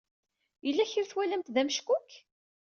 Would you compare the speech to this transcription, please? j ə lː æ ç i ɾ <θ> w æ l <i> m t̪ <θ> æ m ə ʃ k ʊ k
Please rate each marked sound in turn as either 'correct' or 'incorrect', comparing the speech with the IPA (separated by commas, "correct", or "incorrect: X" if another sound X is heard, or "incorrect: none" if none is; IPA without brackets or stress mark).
correct, incorrect: æ, incorrect: ð